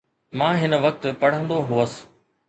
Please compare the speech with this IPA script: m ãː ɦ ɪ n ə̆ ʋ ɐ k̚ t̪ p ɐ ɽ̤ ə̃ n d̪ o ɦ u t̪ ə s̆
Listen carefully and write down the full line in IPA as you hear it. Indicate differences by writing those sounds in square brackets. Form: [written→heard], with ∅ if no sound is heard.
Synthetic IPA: m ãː ɦ ɪ n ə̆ ʋ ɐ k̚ t̪ p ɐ ɽ̤ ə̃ n d̪ o ɦ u [t̪→∅] ə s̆